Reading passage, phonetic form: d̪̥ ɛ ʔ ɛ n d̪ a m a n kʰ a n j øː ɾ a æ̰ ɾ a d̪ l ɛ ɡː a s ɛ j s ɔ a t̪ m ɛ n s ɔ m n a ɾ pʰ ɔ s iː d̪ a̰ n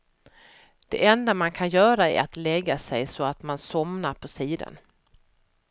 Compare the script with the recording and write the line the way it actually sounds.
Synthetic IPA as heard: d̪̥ ɛ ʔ ɛ n d̪ a m a n kʰ a n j œː ɾ a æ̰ ɾ a t̪ l ɛ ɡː a s ɛ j s ɔ a t̪ m a n s ɔ m n a ɾ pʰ ɔ s iː d̪ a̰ n

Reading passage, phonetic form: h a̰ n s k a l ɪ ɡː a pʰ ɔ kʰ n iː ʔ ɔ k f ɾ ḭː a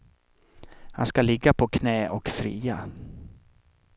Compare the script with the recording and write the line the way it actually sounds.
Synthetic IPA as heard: h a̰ n s k a l ɪ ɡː a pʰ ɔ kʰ n ɛː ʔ ɔ k f ɾ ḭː a

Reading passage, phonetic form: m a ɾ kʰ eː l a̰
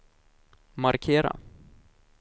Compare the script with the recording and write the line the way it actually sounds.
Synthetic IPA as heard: m a ɾ kʰ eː ɾ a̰

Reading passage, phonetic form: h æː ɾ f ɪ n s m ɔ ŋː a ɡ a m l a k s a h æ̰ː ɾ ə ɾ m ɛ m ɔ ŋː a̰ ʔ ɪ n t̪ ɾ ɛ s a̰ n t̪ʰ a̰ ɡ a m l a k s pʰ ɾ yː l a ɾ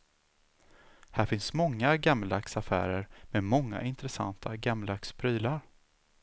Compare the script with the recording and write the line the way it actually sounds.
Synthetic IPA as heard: h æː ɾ f ɪ n s m ɔ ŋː a ɡ a m l a k s a f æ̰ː ɾ ə ɾ m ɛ m ɔ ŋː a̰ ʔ ɪ n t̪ ɾ ɛ s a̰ n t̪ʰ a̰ ɡ a m l a k s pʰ ɾ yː l a ɾ

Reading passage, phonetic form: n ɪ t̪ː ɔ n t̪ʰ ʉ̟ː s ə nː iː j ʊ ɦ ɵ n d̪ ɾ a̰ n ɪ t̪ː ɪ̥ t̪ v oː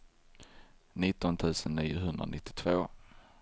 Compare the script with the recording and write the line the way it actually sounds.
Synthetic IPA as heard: n ɪ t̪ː ɔ n t̪ʰ ʉ̟ː s ə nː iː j ʊ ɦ ɵ n d̪ ɾ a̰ n ɪ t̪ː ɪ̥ t̪ʰ v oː

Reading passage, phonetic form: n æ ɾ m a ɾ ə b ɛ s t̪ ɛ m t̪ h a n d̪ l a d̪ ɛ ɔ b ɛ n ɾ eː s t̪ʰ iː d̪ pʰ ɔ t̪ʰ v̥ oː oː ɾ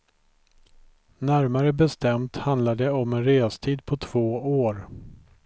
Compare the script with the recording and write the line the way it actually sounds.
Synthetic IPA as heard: n æ ɾ m a ɾ ə b ɛ s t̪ ɛ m t̪ h a n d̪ l a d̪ ɛ ɔ m ɛ n ɾ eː s t̪ʰ iː d̪ pʰ ɔ t̪ʰ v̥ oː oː ɾ

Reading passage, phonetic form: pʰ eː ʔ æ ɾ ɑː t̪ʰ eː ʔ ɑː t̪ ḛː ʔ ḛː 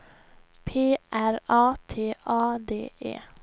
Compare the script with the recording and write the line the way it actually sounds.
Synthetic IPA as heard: pʰ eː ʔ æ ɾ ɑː t̪ʰ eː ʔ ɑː d̪ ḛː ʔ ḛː

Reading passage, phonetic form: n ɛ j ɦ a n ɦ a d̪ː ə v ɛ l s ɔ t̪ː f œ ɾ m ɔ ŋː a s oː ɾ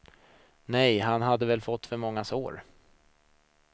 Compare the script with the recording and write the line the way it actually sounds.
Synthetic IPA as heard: n ɛ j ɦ a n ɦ a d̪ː ə v ɛ l f ɔ t̪ː f œ ɾ m ɔ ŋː a s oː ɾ

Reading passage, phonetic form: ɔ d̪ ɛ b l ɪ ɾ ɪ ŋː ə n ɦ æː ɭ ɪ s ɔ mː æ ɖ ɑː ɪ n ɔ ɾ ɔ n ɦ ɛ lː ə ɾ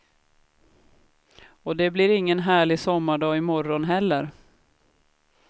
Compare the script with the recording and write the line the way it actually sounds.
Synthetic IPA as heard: ɔ d̪ ɛ b l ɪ ɾ ɪ ŋː ə n ɦ æː ɭ ɪ s ɔ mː a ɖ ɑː ɪ m ɔ ɾ ɔ n ɦ ɛ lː ə ɾ

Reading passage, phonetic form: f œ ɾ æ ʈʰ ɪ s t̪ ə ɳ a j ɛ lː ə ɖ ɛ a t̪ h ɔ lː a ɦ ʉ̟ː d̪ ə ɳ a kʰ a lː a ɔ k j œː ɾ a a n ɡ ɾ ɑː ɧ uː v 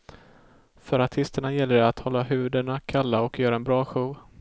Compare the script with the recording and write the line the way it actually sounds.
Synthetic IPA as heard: f œ ɾ a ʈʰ ɪ s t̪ ə ɳ a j ɛ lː ə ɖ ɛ a t̪ h ɔ lː a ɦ ʉ̟ː d̪ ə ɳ a kʰ a lː a ɔ k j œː ɾ a ɛ n b ɾ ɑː ɧ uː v

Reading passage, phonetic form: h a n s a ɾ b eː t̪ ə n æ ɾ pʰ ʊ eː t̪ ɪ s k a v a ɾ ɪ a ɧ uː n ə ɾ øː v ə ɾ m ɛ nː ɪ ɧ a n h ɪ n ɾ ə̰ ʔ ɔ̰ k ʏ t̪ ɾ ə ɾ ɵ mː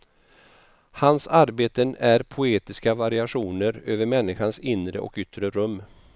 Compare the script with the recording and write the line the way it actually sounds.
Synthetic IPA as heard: h a n s a ɾ b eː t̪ ə n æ ɾ pʰ ʊ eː t̪ ɪ s k a v a ɾ ɪ a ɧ uː n ə ɾ øː v ə ɾ m ɛ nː ɪ ɧ a n s ɪ n ɾ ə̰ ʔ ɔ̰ k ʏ t̪ ɾ ə ɾ ɵ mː

